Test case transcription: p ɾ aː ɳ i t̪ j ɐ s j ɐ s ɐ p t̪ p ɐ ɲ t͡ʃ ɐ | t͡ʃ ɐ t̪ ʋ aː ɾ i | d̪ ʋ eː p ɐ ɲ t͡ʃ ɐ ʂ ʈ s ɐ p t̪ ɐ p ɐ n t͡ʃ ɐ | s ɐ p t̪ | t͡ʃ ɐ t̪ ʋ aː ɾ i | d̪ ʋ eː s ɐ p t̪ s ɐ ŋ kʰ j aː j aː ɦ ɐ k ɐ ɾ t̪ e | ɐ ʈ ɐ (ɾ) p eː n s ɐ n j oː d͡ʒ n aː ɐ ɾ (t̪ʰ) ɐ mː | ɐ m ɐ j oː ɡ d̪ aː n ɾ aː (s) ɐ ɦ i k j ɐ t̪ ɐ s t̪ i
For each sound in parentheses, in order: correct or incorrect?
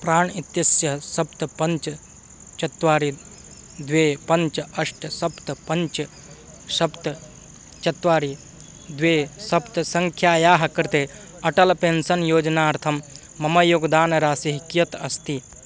incorrect: l, correct, correct

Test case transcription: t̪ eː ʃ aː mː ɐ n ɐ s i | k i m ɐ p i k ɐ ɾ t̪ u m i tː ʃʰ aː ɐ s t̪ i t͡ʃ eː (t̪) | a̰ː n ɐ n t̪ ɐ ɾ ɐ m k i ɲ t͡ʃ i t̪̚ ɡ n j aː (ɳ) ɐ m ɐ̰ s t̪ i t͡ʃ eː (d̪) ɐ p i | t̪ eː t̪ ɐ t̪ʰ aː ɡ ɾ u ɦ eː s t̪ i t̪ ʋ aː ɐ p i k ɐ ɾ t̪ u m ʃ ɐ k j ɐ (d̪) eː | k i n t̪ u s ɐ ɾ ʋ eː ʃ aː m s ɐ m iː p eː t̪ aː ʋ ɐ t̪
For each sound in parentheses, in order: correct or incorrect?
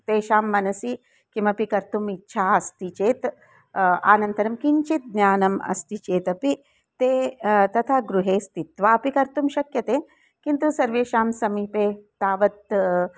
correct, incorrect: n, incorrect: t̪, incorrect: t̪

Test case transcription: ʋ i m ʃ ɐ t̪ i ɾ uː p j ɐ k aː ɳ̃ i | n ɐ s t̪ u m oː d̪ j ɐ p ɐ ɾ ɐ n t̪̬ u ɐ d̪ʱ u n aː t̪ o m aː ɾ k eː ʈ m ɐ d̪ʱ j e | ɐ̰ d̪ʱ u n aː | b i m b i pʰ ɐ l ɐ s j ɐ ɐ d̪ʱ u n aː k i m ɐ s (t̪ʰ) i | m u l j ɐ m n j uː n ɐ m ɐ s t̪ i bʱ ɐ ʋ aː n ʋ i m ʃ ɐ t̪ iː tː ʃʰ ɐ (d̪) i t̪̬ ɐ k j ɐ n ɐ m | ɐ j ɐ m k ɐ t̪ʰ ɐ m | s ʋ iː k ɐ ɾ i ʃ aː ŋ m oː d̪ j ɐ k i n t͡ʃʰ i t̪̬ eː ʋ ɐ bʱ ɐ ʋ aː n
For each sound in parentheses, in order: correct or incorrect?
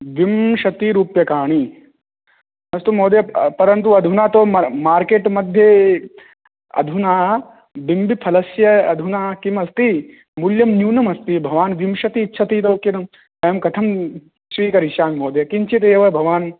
incorrect: t̪, incorrect: t̪

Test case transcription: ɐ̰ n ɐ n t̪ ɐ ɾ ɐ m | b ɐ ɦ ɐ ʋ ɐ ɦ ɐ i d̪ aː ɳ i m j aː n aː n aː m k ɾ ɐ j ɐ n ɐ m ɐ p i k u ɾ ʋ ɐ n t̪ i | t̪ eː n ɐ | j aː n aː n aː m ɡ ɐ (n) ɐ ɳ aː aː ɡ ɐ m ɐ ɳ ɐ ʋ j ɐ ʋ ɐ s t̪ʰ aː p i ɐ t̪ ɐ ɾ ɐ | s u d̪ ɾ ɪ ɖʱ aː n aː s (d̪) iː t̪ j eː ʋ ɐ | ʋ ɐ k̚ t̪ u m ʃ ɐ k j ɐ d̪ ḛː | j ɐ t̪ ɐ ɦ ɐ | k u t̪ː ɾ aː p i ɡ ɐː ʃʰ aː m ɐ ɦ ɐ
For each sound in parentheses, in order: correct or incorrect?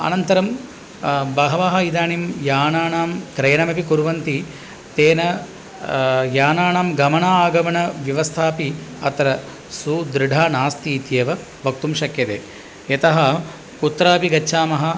incorrect: m, incorrect: t̪

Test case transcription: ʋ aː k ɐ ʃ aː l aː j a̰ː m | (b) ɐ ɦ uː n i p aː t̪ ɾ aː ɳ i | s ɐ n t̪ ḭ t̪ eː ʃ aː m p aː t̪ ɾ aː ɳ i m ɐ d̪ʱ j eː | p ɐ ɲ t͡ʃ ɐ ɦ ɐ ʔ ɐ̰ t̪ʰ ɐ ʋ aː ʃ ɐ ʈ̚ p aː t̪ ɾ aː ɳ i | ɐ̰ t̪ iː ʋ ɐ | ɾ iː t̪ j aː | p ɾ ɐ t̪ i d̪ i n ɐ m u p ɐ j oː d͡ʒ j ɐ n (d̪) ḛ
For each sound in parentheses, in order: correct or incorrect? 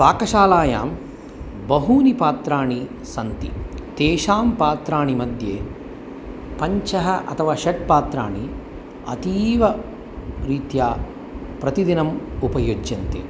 correct, incorrect: t̪

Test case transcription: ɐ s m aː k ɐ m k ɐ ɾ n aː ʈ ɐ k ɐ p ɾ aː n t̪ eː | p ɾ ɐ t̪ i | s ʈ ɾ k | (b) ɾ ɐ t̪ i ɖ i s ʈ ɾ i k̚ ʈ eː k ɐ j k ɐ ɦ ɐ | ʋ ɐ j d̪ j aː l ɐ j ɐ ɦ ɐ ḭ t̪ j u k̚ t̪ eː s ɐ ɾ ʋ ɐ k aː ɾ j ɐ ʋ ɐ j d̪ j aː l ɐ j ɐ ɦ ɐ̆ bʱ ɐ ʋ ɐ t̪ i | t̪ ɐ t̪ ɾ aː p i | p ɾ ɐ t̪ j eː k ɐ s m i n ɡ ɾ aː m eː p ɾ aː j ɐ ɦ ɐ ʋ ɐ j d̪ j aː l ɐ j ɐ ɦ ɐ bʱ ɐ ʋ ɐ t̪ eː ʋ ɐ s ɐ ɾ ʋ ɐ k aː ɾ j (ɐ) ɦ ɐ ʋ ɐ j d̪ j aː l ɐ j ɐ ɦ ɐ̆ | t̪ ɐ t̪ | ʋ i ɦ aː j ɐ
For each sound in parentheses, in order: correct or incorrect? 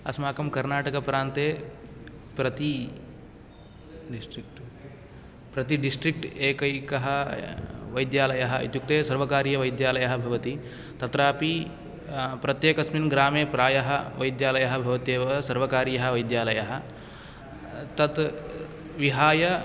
incorrect: p, correct

